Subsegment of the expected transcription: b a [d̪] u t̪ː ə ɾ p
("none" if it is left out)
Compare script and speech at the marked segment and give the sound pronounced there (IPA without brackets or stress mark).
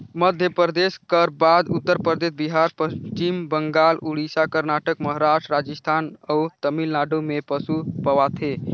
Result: d̪